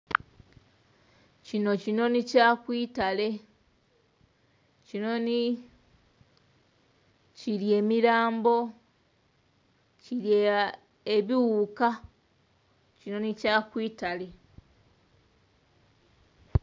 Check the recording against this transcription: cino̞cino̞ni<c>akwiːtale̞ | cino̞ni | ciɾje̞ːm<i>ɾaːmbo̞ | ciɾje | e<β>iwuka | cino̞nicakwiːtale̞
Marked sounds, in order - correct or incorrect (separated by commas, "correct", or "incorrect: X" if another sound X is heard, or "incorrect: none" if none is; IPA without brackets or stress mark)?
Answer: correct, correct, correct